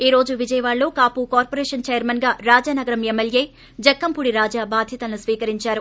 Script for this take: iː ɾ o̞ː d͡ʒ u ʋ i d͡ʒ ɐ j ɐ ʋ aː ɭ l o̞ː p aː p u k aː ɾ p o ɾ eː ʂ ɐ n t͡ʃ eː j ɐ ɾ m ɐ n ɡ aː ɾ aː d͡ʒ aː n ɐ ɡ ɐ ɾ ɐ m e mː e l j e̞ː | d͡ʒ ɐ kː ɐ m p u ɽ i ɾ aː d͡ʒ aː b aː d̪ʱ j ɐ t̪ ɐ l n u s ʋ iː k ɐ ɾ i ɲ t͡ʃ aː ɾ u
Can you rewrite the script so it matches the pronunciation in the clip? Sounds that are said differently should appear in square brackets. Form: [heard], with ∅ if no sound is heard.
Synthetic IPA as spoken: iː ɾ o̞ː d͡ʒ u ʋ i d͡ʒ ɐ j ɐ ʋ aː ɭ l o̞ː [k] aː p u k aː ɾ p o ɾ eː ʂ ɐ n t͡ʃ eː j ɐ ɾ m ɐ n ɡ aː ɾ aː d͡ʒ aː n ɐ ɡ ɐ ɾ ɐ m e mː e l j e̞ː | d͡ʒ ɐ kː ɐ m p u ɽ i ɾ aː d͡ʒ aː b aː d̪ʱ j ɐ t̪ ɐ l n u s ʋ iː k ɐ ɾ i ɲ t͡ʃ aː ɾ u